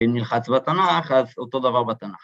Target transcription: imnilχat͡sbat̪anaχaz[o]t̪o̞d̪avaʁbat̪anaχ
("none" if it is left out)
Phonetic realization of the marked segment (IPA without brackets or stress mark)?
o